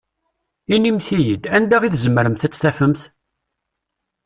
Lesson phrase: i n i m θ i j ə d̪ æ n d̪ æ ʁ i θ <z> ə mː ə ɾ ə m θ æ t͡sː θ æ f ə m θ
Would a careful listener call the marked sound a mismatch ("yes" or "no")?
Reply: no